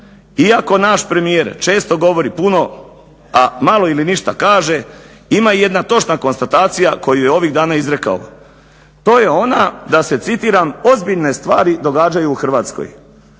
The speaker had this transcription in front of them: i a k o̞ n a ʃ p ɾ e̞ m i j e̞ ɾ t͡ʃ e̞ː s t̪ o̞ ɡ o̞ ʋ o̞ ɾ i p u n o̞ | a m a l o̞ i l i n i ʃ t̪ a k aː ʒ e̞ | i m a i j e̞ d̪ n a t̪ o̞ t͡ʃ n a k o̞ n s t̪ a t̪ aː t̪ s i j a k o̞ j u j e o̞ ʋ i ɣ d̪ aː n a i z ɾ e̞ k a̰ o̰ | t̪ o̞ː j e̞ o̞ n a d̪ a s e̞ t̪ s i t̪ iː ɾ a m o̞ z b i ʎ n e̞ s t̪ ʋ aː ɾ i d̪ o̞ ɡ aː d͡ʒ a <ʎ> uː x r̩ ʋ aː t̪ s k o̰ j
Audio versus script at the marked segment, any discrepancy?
yes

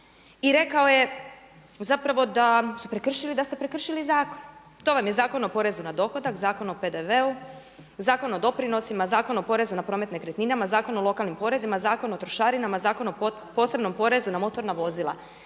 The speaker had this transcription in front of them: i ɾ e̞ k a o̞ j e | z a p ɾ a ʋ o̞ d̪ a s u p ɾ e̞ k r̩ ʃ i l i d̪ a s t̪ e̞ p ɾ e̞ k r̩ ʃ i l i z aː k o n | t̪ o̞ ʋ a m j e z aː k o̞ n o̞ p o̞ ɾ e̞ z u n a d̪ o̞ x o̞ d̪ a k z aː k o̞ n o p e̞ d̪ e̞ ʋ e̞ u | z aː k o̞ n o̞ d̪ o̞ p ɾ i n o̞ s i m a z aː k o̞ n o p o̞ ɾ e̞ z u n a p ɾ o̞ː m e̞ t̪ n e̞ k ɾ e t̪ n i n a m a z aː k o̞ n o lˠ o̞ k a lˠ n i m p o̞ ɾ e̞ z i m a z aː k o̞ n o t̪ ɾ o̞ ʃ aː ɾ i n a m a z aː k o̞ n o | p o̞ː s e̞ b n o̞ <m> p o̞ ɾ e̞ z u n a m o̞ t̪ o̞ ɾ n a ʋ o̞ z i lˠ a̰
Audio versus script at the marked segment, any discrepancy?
no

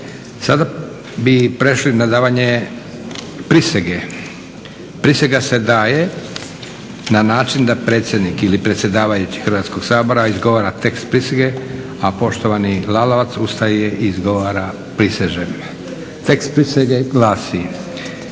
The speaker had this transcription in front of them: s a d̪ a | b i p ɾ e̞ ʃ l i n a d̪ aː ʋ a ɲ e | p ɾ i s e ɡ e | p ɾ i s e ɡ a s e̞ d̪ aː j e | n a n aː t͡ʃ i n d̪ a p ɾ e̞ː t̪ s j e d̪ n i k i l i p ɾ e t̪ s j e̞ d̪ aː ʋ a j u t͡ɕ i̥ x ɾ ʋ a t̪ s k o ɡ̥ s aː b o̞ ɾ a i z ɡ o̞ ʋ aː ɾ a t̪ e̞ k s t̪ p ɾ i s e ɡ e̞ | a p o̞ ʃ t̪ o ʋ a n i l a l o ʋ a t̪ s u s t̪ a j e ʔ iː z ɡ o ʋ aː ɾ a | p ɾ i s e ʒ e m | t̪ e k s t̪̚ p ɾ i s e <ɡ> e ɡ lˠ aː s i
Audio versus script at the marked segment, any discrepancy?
no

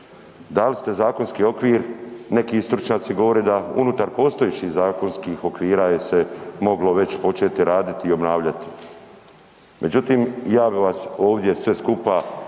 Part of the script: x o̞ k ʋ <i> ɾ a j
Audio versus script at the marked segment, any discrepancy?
yes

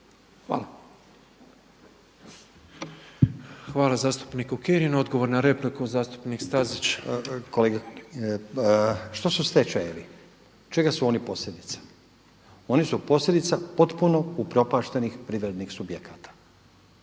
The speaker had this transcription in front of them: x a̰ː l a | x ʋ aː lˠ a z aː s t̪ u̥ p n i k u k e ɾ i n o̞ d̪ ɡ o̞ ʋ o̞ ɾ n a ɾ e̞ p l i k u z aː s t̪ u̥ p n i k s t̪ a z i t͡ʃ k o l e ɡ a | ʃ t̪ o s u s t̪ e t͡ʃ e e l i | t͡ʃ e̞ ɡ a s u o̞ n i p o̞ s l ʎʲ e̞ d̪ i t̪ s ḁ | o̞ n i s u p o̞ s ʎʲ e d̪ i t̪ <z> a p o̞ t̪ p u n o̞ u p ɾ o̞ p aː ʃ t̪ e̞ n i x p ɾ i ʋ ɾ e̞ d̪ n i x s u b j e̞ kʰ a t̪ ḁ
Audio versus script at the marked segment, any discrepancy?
yes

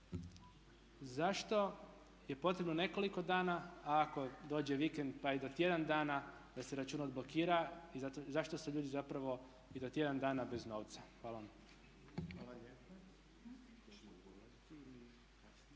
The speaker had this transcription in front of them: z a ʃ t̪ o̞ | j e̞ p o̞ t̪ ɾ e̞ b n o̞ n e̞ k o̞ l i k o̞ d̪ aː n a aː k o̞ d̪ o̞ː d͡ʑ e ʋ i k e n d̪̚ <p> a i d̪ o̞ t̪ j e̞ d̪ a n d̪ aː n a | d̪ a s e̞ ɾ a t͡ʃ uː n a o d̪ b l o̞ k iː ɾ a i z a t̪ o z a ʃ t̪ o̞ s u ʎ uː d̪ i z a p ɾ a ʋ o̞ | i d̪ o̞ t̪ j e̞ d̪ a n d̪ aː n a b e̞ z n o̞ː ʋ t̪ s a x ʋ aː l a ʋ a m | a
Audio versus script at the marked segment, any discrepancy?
no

